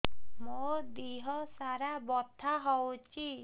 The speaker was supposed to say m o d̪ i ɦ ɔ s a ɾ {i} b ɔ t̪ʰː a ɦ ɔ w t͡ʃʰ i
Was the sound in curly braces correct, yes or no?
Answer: no